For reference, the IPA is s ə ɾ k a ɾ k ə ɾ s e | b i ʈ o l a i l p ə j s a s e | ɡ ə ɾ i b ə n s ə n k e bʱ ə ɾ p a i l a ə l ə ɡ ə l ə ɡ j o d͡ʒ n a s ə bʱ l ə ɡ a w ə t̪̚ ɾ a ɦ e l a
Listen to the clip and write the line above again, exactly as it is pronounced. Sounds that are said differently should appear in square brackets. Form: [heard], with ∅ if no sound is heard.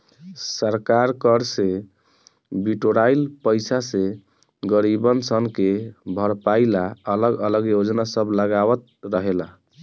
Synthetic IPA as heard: s ə ɾ k a ɾ k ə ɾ s e | b i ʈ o [ɾ] a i l p ə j s a s e | ɡ ə ɾ i b ə n s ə n k e bʱ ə ɾ p a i l a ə l ə ɡ ə l ə ɡ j o d͡ʒ n a s ə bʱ l ə ɡ a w ə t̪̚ ɾ [ə] ɦ e l a